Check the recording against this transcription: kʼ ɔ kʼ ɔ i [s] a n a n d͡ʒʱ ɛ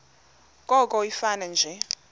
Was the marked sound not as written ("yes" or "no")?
yes